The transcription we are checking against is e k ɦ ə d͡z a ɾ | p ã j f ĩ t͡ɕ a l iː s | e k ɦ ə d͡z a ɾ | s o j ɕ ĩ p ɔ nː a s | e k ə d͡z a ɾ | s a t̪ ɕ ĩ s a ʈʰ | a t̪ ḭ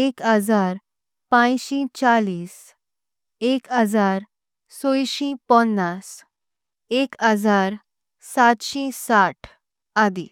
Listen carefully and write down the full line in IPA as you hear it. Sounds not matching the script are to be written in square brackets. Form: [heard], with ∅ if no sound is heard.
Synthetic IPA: e k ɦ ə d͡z a ɾ | p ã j [ɕ] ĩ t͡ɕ a l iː s | e k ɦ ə d͡z a ɾ | s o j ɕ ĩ p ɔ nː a s | e k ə d͡z a ɾ | s a t̪ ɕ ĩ s a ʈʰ | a [d̪] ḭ

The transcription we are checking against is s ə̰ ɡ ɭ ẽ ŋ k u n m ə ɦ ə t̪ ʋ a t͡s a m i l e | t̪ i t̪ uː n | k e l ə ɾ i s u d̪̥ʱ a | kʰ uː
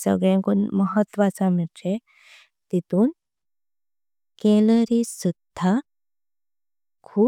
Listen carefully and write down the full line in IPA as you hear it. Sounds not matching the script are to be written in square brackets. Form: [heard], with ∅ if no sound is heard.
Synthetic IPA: s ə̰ ɡ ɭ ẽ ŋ k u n m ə ɦ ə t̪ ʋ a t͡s a m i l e | t̪ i t̪ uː n | k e l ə ɾ i s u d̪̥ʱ a | kʰ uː

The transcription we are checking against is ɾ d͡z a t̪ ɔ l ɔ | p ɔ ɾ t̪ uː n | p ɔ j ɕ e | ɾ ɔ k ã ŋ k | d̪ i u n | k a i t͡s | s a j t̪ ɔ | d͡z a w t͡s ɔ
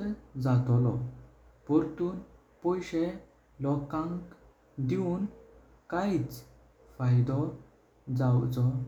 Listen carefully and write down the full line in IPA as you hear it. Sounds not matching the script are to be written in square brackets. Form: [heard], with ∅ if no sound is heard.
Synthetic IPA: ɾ d͡z a t̪ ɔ l ɔ | p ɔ ɾ t̪ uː n | p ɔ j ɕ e | [l] ɔ k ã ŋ k | d̪ i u n | k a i t͡s | [f] a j [d̪] ɔ | d͡z a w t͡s ɔ

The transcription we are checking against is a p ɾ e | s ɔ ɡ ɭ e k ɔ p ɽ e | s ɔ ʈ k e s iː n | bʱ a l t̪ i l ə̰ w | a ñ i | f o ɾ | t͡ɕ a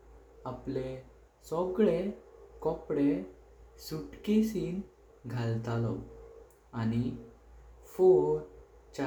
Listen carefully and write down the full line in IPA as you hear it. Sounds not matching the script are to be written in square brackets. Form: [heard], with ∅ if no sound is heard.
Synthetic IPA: a p [l] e | s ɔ ɡ ɭ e k ɔ p ɽ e | s [u] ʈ k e s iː n | [ɡʱ] a l t̪ [a] l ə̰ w | a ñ i | f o ɾ | t͡ɕ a

